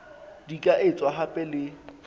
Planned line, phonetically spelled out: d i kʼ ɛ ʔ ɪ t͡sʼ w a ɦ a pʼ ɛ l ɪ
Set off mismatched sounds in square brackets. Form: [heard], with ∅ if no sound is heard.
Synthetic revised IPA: d i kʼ [a] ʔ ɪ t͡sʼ w a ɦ a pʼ ɛ l ɪ